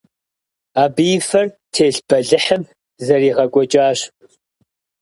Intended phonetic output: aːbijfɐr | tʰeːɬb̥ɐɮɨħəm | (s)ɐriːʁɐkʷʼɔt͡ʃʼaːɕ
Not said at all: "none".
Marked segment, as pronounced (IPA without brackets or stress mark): z